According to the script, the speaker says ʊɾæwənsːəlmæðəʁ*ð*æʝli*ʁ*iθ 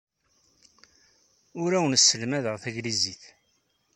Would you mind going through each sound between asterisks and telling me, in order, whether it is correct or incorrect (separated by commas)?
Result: incorrect, incorrect